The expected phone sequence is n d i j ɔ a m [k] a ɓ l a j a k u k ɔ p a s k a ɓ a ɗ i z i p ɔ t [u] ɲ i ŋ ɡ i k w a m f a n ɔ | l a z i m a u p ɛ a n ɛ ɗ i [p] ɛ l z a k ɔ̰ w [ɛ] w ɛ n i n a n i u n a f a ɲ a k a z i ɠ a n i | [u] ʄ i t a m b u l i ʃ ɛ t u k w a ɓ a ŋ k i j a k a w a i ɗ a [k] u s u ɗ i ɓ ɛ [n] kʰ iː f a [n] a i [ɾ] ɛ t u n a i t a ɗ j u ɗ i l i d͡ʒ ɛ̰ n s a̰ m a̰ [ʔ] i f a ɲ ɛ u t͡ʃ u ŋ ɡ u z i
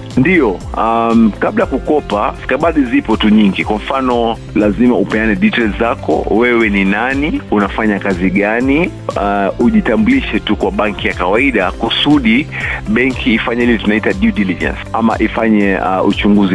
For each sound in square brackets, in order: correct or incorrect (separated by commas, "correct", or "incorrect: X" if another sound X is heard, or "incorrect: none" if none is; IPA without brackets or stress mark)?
correct, correct, incorrect: t, correct, correct, correct, incorrect: ŋ, incorrect: ɲ, incorrect: l, correct